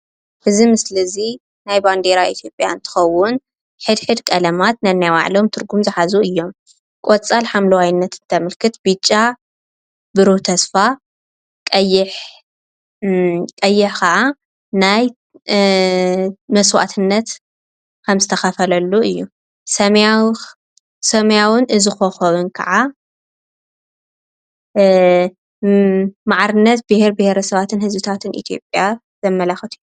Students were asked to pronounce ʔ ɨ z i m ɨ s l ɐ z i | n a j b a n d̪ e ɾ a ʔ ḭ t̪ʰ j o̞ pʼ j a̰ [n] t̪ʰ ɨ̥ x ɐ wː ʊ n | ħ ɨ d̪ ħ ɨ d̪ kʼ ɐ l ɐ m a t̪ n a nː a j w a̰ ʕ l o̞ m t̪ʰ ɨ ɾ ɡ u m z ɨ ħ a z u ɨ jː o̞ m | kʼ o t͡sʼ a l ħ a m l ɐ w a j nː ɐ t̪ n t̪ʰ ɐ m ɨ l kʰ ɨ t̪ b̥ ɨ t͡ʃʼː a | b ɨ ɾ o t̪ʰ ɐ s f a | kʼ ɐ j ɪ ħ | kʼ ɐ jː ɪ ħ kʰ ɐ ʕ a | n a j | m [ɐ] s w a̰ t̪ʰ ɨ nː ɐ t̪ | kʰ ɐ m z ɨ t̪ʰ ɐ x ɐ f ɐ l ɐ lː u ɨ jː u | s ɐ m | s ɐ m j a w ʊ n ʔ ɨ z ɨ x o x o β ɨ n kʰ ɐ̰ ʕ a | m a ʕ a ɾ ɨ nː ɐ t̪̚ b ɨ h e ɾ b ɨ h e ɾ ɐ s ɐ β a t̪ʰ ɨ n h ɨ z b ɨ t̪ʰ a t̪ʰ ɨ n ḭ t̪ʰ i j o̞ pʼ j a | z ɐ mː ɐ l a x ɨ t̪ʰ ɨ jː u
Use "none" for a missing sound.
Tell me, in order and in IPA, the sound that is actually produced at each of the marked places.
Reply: n, ɐ

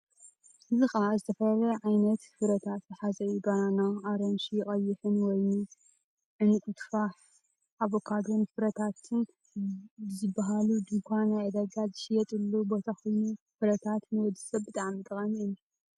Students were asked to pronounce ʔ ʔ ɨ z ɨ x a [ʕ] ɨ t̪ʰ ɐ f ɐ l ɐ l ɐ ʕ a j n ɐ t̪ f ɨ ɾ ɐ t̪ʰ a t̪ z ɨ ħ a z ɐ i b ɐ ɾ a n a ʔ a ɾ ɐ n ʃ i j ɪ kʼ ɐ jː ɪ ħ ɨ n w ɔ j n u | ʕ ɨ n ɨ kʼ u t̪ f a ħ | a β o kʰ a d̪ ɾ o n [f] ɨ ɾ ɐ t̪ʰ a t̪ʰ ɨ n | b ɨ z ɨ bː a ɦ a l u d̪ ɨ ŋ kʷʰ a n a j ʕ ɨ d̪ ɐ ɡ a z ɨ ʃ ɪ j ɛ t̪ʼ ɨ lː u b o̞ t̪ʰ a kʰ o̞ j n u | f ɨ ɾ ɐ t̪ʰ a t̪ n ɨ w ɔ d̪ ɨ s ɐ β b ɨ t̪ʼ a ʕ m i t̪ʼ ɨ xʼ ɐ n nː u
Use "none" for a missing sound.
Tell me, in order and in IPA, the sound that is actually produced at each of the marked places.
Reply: z, f

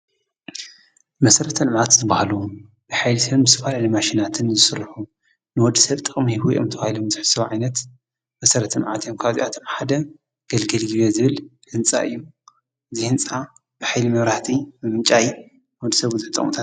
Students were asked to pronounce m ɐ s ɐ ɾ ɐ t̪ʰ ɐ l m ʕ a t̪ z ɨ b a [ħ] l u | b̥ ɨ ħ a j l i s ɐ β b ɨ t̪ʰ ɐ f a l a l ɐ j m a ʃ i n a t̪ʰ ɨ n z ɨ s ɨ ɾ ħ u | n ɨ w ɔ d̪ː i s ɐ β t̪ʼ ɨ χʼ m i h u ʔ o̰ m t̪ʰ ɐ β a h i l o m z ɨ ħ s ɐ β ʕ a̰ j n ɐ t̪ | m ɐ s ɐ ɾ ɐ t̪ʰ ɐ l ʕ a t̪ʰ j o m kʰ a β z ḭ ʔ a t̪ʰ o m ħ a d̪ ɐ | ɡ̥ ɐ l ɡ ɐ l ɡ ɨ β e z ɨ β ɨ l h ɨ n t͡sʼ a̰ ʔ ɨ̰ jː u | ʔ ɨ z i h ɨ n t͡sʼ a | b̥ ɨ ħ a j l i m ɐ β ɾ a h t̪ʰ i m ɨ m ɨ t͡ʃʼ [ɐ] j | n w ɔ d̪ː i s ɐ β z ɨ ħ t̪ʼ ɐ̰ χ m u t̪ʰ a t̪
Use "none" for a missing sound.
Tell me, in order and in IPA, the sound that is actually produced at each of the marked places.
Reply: h, a

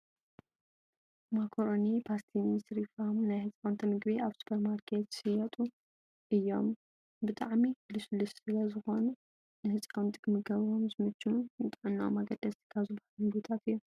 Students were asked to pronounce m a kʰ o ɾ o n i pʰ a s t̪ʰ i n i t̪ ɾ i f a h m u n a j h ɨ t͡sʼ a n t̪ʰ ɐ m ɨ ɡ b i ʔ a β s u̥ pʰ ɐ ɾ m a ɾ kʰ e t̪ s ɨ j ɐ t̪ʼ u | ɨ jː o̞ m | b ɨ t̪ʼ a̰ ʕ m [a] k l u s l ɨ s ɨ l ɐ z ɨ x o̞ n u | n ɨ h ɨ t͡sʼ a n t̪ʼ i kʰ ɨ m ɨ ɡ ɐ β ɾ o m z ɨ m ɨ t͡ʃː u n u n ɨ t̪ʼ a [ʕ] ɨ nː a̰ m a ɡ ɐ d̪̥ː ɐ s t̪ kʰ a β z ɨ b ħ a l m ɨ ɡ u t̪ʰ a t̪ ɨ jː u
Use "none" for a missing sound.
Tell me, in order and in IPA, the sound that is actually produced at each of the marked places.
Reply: i, ʕ

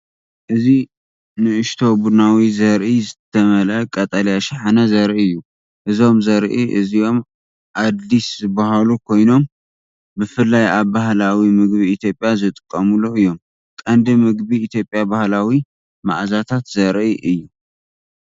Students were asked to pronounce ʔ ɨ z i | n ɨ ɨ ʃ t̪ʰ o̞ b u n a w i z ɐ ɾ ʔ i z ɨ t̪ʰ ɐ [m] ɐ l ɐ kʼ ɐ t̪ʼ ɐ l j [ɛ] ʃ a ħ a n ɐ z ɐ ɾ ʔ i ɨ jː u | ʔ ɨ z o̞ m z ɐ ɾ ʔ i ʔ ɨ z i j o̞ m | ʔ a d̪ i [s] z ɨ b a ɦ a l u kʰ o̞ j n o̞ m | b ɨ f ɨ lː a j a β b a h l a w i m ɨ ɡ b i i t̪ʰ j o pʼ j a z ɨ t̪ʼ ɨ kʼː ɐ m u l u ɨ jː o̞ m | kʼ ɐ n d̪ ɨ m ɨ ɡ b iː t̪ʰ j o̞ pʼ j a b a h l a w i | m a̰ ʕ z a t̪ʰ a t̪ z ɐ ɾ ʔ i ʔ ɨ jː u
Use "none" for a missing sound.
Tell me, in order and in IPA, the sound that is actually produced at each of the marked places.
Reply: m, a, s

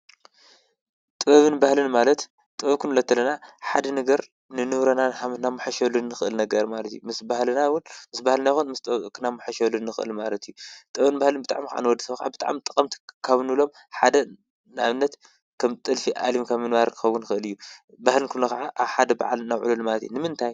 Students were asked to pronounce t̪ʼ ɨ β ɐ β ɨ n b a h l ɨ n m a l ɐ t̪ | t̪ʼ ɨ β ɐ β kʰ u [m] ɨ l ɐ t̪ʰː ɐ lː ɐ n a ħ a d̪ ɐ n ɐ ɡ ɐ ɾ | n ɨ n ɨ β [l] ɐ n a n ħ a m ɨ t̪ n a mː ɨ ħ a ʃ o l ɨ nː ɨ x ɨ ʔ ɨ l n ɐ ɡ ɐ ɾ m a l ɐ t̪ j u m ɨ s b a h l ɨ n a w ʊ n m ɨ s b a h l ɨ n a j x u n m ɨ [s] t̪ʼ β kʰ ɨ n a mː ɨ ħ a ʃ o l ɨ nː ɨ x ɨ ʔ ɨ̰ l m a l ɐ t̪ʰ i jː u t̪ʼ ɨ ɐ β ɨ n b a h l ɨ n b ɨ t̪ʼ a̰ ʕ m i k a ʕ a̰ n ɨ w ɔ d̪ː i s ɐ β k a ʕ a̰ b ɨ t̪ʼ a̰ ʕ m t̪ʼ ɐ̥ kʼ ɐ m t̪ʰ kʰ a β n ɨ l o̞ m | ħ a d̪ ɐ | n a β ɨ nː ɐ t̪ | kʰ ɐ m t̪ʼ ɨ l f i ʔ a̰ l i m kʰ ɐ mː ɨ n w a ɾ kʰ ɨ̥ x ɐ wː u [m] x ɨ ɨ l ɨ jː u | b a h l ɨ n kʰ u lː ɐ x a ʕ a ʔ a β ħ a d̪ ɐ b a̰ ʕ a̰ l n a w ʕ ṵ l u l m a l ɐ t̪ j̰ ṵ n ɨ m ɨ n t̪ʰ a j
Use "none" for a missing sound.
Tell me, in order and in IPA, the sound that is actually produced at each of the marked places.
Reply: n, ɾ, s, n

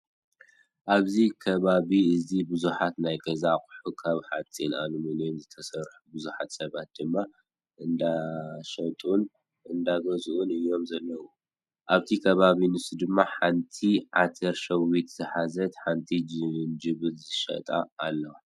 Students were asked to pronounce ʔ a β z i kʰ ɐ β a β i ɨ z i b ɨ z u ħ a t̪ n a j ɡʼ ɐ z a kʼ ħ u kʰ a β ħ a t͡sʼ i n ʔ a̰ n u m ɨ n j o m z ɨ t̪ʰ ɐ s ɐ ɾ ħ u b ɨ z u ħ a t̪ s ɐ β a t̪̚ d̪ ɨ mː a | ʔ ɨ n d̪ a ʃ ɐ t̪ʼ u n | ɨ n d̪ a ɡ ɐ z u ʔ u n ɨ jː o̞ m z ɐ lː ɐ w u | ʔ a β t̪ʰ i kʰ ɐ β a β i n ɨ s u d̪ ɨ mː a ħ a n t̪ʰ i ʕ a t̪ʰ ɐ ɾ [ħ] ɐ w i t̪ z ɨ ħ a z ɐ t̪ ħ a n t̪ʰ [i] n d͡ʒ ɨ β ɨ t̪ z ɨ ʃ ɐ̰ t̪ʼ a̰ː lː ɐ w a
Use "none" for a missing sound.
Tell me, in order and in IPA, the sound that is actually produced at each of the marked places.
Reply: ʃ, i

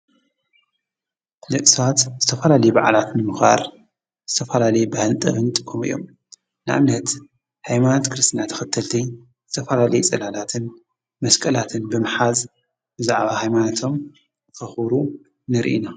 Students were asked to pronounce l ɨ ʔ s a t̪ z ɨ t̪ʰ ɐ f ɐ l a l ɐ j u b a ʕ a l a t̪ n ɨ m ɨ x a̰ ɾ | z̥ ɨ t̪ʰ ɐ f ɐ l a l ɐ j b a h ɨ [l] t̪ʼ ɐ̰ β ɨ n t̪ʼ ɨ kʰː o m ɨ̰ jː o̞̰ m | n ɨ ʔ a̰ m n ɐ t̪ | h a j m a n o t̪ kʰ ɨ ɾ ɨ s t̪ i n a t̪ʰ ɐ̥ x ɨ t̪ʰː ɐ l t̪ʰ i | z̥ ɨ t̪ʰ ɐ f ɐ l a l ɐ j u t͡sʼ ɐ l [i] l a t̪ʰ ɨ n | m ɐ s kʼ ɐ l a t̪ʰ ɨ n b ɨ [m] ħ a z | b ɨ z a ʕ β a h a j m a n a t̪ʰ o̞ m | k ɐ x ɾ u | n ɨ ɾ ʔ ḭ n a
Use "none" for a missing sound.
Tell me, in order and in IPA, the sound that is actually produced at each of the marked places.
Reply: l, a, m

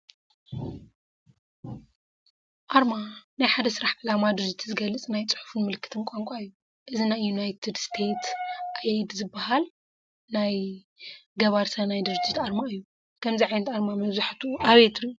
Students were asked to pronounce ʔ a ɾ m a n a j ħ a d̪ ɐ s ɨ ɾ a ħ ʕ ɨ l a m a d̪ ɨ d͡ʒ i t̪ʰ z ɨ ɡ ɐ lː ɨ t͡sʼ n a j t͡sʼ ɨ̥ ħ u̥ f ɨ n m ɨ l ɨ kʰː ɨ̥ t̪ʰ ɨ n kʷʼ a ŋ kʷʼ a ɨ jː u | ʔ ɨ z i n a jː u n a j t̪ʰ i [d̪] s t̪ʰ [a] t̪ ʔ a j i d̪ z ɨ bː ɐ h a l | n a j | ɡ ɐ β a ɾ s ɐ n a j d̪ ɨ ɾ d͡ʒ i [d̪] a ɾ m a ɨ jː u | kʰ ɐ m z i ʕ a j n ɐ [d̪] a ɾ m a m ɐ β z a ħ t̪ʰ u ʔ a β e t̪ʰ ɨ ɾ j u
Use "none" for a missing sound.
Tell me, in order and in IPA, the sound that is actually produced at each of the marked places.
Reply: d̪, e, t̪, t̪

